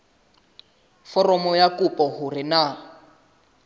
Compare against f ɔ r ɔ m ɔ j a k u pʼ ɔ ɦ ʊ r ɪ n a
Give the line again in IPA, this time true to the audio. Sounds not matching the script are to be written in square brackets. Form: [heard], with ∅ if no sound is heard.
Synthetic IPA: f ɔ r ɔ m ɔ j a k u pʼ ɔ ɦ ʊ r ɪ n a